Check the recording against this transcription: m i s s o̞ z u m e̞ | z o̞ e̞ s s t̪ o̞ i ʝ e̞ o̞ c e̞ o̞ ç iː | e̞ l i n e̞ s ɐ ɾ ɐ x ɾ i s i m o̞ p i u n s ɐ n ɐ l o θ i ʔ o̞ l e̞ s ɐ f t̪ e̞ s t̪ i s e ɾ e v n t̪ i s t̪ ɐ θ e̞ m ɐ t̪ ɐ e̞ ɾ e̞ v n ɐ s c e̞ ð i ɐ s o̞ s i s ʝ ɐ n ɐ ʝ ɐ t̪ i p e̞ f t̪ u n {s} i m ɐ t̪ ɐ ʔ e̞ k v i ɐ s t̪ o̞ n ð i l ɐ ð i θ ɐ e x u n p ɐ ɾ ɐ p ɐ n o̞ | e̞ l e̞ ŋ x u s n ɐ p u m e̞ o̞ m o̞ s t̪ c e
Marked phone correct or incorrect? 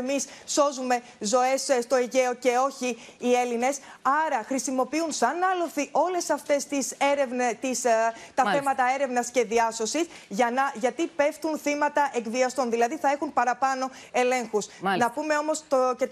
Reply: incorrect